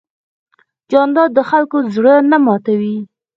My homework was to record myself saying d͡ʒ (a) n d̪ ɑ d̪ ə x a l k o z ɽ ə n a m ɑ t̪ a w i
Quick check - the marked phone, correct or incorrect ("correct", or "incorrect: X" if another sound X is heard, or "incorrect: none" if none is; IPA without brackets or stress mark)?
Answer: incorrect: ɑ